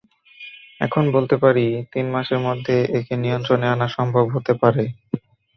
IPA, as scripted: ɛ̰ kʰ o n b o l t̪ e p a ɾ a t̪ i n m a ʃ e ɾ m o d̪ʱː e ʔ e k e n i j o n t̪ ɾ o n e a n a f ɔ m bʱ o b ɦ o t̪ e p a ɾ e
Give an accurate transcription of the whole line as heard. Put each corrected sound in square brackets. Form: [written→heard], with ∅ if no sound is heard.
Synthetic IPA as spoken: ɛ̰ kʰ o n b o l t̪ e p a ɾ [a→i] t̪ i n m a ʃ e ɾ m o d̪ʱː e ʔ e k e n i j o n t̪ ɾ o n e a n a [f→ʃ] ɔ m bʱ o b ɦ o t̪ e p a ɾ e